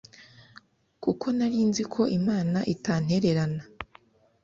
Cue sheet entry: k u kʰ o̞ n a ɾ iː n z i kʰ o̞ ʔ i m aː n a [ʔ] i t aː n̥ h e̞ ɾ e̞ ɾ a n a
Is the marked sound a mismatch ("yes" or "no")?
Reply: no